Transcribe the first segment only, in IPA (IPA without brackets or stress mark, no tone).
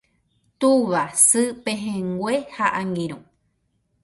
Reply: t̪